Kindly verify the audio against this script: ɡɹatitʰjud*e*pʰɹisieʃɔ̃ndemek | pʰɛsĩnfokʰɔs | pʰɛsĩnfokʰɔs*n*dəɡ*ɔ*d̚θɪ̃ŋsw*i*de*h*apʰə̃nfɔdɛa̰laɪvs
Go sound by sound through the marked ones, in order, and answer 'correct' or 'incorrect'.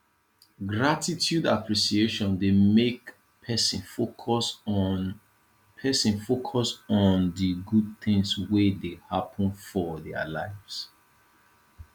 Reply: incorrect: a, correct, incorrect: u, incorrect: e, correct

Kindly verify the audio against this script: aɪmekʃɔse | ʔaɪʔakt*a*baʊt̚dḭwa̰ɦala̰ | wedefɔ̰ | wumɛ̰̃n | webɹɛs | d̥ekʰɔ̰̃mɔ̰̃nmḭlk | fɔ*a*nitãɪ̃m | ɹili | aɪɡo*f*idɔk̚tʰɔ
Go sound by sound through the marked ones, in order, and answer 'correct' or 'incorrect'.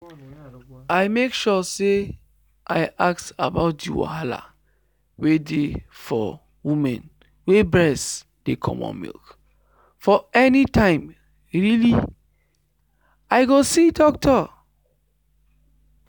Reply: correct, incorrect: ɛ, incorrect: s

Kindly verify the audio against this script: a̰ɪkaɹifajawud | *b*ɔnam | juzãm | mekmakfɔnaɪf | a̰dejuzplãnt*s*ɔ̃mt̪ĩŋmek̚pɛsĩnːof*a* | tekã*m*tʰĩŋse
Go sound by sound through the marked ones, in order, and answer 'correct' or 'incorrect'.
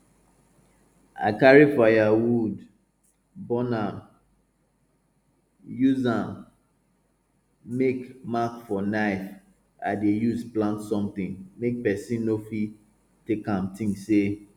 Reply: correct, correct, incorrect: i, correct

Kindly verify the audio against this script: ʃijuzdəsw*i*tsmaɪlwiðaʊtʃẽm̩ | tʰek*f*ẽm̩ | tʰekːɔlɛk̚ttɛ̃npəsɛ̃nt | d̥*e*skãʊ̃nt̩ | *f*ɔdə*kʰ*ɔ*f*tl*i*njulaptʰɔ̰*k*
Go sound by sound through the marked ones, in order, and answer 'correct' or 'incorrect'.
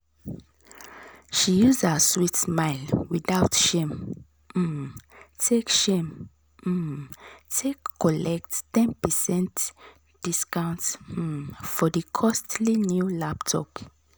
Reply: correct, incorrect: ʃ, incorrect: i, correct, correct, incorrect: s, correct, incorrect: p

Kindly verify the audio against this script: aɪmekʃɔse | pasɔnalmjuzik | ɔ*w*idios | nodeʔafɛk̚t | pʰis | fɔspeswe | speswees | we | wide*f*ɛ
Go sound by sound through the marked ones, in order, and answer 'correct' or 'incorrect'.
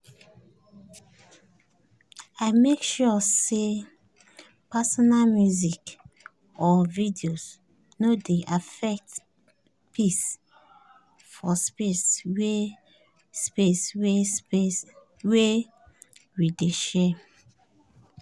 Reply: incorrect: v, incorrect: ʃ

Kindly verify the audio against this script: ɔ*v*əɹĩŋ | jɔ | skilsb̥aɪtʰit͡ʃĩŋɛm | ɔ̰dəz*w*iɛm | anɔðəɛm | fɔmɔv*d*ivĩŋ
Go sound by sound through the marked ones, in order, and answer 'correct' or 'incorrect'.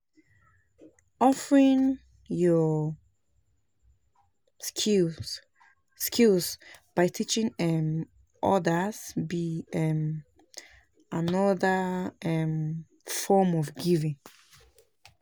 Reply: incorrect: f, incorrect: b, incorrect: ɡ

